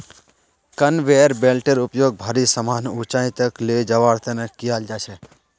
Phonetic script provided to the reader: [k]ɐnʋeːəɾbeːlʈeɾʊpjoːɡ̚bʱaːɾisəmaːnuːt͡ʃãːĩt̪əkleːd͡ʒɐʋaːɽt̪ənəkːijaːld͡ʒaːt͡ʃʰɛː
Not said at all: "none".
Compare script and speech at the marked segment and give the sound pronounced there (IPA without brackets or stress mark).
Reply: k